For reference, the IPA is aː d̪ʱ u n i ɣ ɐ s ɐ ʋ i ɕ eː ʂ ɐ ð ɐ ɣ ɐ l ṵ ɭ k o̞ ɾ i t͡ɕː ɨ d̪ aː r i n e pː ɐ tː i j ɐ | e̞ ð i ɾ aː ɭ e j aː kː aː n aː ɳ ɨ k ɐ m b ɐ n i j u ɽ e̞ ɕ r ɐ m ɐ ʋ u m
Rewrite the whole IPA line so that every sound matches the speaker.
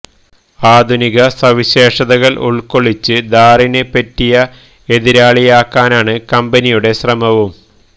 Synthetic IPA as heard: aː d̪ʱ u n i ɣ ɐ s ɐ ʋ i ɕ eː ʂ ɐ ð ɐ ɣ ɐ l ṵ ɭ k o̞ ɭ i t͡ɕː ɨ d̪ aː r i n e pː ɐ tː i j ɐ | e̞ ð i ɾ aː ɭ i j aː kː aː n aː ɳ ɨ k ɐ m b ɐ n i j u ɽ e̞ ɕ r ɐ m ɐ ʋ u m